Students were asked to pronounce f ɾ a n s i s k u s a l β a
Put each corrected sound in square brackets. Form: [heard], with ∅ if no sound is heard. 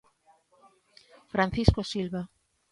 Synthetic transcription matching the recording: f ɾ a n [θ] i s k [o] s [i] l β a